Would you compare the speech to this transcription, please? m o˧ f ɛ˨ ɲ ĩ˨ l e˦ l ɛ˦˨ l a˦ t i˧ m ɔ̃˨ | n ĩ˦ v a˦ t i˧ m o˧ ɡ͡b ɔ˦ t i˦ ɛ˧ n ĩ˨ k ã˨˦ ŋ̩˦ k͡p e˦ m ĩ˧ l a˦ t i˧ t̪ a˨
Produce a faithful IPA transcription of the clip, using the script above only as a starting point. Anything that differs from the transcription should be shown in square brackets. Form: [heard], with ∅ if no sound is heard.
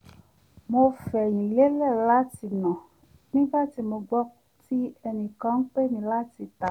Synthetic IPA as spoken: m o˧ f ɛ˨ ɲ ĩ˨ l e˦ l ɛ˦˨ l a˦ t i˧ [n] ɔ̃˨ | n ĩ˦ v a˦ t i˧ m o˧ ɡ͡b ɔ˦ t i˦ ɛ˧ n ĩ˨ k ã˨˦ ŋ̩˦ k͡p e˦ m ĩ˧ l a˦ t i˧ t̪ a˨